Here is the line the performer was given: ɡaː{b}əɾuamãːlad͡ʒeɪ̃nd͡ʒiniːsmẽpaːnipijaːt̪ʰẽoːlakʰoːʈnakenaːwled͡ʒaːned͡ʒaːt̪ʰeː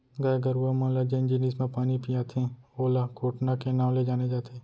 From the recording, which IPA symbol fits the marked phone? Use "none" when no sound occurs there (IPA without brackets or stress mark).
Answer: ɡ